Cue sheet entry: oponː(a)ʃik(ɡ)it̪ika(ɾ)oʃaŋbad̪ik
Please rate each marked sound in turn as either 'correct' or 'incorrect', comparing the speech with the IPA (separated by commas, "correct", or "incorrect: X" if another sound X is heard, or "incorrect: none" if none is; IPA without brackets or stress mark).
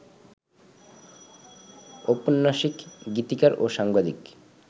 correct, correct, correct